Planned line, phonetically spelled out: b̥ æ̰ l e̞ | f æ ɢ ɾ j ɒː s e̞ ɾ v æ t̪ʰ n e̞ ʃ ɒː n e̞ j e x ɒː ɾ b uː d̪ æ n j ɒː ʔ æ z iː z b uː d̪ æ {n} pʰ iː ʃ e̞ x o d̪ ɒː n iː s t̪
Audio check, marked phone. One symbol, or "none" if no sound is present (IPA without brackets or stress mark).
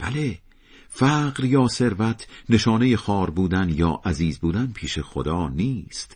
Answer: n